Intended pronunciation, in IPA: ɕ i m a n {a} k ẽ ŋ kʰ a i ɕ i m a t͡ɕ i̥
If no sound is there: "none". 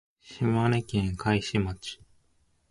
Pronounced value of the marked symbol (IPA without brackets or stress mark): e